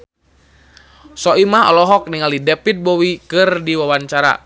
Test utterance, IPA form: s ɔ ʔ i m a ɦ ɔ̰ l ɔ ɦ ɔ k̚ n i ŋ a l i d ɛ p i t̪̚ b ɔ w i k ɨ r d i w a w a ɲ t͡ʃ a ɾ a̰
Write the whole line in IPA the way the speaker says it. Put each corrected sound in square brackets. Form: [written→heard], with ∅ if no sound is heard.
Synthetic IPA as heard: s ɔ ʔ i m a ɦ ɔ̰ l ɔ ɦ ɔ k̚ n i ŋ a l i d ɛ p i t̪̚ b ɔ w i k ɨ r d i w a w a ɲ t͡ʃ a ɾ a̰